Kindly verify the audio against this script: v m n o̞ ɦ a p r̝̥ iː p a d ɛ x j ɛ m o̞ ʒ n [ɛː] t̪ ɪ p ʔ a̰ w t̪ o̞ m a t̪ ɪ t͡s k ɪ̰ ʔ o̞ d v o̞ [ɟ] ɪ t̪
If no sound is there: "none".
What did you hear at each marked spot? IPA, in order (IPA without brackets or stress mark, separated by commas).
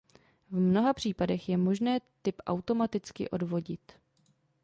ɛː, ɟ